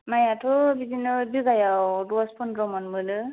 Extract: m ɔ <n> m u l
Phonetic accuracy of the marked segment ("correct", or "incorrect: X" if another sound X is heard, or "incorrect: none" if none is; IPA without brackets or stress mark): correct